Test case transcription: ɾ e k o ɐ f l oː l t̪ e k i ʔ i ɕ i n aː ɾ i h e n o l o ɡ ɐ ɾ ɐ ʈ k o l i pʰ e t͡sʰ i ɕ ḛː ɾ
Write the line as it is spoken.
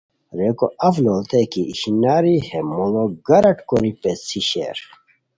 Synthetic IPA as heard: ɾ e k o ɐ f l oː l t̪ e k i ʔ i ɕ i n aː ɾ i h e m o l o ɡ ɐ ɾ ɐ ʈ k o ɾ i p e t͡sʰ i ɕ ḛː ɾ